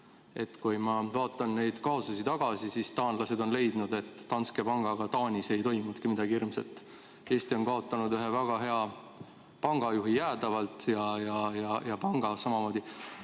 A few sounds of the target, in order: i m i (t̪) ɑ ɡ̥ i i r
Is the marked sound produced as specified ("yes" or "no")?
no